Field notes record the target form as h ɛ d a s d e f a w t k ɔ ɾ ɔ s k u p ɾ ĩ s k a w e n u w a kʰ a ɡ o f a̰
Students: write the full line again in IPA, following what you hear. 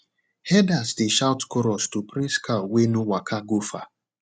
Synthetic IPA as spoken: h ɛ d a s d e ʃ a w t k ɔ ɾ ɔ s t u p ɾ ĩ s k a w e n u w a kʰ a ɡ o f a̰